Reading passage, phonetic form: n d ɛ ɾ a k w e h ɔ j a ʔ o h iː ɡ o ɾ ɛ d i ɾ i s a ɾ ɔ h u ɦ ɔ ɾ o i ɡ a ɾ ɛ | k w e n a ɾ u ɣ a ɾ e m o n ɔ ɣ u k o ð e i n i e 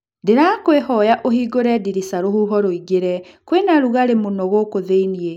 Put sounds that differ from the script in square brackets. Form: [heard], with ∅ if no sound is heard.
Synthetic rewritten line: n d [e] ɾ a k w e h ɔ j a ʔ o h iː ɡ o ɾ ɛ d i ɾ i s a ɾ [o] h u ɦ ɔ ɾ o i ɡ [e] ɾ ɛ | k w e n a ɾ u ɣ a ɾ e m o n ɔ ɣ [o] k o ð e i n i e

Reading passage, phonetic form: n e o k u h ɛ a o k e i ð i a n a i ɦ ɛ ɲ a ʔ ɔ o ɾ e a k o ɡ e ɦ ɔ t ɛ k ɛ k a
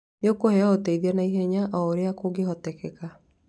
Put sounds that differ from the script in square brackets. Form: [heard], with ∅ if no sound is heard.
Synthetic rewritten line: n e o k [o] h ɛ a o [t] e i ð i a n a i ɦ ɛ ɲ a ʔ ɔ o ɾ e a k o ɡ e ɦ ɔ t ɛ k ɛ k a

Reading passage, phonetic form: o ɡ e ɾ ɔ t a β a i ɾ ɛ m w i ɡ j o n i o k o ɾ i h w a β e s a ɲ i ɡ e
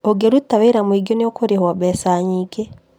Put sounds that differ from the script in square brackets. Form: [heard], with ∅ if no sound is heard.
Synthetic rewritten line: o ɡ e ɾ [u] t a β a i ɾ [a] m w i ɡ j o n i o k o ɾ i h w a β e s a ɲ i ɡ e

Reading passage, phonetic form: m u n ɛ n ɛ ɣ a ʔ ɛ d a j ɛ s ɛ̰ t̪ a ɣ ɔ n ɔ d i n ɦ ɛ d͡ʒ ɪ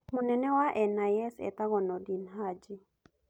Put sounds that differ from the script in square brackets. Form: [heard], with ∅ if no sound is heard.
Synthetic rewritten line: m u n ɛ n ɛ [w] a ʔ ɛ [n] a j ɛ s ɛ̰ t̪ a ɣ ɔ n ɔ d i n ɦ [a] d͡ʒ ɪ

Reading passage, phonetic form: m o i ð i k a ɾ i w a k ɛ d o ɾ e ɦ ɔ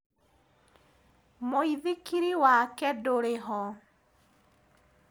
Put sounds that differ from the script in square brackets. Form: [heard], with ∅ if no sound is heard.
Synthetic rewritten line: m o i ð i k [i] ɾ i w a k ɛ d o ɾ e ɦ ɔ

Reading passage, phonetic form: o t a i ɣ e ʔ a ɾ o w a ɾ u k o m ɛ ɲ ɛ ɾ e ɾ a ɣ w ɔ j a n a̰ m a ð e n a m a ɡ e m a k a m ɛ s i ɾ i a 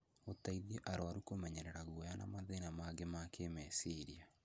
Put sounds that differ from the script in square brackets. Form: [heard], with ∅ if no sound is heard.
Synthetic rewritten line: o t a i [ð] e ʔ a ɾ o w a ɾ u k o m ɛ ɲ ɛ ɾ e ɾ a ɣ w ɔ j a n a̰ m a ð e n a m a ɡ e m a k [e] m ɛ s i ɾ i a

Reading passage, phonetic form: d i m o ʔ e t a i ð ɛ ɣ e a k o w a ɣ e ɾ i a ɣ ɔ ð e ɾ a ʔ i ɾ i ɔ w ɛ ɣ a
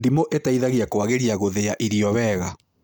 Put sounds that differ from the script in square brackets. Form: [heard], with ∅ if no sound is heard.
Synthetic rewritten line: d i m o ʔ e t a i ð [a] ɣ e a k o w a ɣ e ɾ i a ɣ [o] ð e [∅] a ʔ i ɾ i ɔ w ɛ ɣ a

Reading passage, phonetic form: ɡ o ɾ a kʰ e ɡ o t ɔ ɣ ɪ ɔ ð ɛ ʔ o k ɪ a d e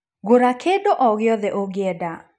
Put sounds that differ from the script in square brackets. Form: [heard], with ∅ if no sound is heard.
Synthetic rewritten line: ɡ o ɾ a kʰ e [d] o [ʔ] ɔ ɣ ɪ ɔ ð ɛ ʔ o [ɡ] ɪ [ɛ] d [a]

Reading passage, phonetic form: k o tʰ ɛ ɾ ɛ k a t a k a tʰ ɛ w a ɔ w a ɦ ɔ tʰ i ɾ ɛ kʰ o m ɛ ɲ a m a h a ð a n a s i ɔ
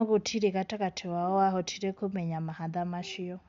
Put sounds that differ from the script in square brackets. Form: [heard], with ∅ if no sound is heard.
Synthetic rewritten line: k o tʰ [i] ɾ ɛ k a t a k a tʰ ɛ w a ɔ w a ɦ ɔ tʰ i ɾ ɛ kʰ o m ɛ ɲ a m a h a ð a [m] a [ʃ] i ɔ

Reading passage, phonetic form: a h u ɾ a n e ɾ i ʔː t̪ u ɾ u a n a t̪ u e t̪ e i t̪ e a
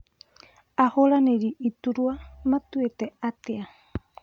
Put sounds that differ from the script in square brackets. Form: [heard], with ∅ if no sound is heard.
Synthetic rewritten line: a h [o] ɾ a n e ɾ i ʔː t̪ u ɾ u a [m] a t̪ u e t̪ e [a] t̪ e a

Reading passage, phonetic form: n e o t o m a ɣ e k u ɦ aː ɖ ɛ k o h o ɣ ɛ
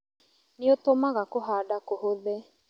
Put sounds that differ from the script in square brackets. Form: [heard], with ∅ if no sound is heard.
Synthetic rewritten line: n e o t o m a ɣ [a] k [o] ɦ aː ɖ [a] k o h o [ð] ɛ

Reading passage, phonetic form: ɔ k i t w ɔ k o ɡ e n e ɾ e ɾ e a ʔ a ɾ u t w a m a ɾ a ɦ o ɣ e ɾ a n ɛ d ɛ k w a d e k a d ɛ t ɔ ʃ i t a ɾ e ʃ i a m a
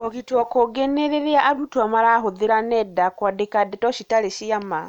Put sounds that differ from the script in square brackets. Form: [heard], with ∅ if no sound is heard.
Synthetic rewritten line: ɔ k i t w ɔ k o ɡ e n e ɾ e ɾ e a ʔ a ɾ u t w a m a ɾ a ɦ o [ð] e ɾ a n ɛ d [a] k w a d e k a d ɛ t ɔ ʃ i t a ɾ e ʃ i a m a

